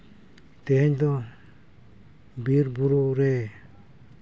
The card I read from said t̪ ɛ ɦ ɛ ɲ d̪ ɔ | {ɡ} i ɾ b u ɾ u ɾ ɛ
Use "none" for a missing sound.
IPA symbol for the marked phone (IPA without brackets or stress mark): b